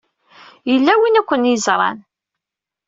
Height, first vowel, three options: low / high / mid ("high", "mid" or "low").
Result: mid